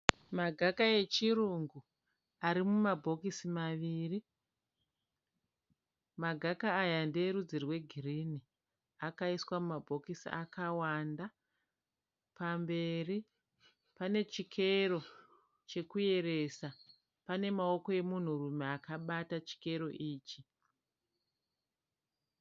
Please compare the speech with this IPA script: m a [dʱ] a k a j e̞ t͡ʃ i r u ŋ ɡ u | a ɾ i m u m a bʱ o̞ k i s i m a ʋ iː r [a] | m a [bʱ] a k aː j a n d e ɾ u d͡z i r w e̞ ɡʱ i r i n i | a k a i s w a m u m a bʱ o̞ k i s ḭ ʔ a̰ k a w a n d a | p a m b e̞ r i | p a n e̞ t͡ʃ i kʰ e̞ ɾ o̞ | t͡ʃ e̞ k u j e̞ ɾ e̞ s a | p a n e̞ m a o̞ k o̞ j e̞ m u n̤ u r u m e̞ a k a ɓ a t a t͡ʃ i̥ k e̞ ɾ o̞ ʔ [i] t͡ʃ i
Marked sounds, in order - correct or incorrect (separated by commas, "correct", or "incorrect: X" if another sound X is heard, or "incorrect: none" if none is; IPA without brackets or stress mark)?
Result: incorrect: ɡʱ, incorrect: i, incorrect: ɡʱ, incorrect: iː